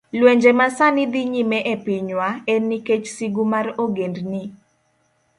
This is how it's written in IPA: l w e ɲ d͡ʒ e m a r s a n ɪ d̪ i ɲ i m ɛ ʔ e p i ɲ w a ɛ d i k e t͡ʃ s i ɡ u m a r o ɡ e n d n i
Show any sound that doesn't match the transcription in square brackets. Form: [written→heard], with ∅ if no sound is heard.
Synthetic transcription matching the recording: l w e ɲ d͡ʒ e m a [r→∅] s a n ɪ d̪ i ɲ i m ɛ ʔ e p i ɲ w a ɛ [d→n] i k e t͡ʃ s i ɡ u m a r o ɡ e n d n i